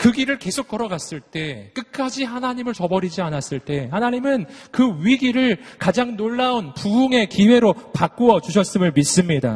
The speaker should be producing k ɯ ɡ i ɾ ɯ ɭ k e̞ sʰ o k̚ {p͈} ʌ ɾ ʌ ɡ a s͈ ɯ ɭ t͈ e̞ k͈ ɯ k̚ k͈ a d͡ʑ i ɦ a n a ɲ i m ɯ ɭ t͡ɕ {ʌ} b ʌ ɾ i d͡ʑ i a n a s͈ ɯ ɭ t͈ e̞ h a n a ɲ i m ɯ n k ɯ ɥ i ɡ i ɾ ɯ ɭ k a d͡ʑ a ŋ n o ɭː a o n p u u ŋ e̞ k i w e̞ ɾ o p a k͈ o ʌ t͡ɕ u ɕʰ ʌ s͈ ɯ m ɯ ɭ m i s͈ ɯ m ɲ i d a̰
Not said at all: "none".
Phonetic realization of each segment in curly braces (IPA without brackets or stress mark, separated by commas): k͈, ʌ